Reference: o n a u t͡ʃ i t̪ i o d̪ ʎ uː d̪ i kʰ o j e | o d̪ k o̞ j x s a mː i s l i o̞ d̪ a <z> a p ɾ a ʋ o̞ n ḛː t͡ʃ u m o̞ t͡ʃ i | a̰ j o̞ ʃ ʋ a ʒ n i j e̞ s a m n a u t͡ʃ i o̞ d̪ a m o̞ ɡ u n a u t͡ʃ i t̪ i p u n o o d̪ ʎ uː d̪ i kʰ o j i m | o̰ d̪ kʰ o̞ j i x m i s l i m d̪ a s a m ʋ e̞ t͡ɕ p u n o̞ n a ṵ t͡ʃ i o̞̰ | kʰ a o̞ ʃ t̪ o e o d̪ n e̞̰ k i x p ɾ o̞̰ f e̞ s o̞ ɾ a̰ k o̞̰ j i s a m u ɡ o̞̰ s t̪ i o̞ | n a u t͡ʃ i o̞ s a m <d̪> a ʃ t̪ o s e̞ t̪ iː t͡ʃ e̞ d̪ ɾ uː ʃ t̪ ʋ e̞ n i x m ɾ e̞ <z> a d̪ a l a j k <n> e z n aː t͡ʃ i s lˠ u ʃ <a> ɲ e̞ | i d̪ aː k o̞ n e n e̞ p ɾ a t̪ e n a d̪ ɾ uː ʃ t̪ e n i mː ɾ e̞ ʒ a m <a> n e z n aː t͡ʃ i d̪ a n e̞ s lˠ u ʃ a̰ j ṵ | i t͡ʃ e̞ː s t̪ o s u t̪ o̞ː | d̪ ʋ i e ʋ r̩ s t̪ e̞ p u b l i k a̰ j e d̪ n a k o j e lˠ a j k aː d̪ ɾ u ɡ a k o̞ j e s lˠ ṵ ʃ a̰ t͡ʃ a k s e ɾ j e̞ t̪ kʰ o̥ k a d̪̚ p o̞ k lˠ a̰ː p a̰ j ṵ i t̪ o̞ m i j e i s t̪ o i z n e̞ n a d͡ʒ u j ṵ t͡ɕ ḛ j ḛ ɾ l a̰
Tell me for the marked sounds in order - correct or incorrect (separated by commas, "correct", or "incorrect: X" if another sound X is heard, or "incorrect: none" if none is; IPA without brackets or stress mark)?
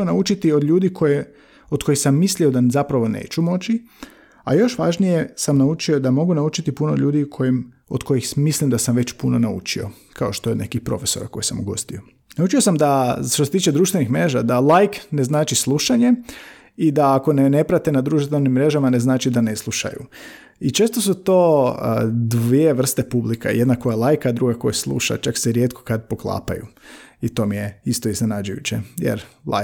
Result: correct, correct, incorrect: ʒ, correct, correct, correct